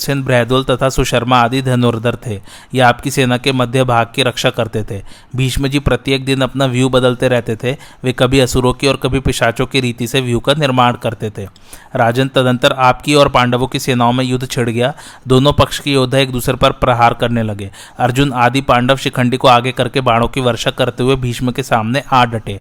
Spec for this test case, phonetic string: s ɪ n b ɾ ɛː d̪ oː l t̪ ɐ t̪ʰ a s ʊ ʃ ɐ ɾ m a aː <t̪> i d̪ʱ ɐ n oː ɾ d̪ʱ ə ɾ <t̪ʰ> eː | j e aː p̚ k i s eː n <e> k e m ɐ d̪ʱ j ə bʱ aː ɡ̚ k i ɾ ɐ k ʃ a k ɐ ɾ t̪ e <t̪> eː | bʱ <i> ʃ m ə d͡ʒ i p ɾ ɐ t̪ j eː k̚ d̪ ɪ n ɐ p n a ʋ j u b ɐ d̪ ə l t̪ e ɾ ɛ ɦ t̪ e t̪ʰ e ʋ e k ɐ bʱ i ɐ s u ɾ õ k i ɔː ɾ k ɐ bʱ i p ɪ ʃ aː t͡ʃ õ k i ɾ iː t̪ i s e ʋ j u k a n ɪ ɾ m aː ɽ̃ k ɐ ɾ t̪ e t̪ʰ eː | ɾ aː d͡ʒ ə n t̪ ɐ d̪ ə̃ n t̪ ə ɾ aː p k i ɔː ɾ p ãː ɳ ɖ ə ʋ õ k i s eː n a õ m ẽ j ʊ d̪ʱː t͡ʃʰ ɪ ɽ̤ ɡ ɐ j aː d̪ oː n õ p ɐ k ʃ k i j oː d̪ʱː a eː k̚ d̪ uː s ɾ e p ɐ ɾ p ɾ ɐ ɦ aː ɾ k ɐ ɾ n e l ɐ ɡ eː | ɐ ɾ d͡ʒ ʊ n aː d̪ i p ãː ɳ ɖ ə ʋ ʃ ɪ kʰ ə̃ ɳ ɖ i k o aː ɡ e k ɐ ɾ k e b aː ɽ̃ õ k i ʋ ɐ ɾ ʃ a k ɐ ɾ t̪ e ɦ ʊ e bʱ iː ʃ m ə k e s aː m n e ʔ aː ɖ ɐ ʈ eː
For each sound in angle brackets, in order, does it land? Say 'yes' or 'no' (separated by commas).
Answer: no, yes, no, no, no